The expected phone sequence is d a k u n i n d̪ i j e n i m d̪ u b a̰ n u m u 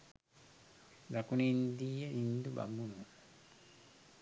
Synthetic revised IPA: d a k u n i n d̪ i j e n i n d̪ u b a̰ m u n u